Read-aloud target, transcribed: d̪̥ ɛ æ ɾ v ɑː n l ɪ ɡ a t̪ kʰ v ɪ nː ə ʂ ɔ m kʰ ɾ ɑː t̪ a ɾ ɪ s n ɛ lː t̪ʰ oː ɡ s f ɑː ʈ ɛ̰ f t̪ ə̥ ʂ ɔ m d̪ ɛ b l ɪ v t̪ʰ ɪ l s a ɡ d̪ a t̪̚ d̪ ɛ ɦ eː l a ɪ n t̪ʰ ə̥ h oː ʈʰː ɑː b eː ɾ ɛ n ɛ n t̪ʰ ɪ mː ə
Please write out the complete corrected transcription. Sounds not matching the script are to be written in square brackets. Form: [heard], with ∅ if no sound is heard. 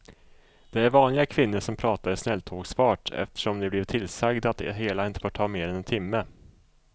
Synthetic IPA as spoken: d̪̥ ɛ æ ɾ v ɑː n l ɪ ɡ a [∅] kʰ v ɪ nː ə ʂ ɔ m [pʰ] ɾ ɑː t̪ a ɾ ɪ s n ɛ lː t̪ʰ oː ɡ s f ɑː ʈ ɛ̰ f t̪ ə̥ ʂ ɔ m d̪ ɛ b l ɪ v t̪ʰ ɪ l s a ɡ d̪ a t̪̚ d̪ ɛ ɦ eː l a ɪ n [t̪] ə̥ [f] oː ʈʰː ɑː [m] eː ɾ ɛ n ɛ n t̪ʰ ɪ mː ə